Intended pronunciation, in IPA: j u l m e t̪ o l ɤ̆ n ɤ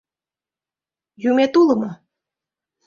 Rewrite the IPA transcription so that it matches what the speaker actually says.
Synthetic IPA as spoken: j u m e t̪ u l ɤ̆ m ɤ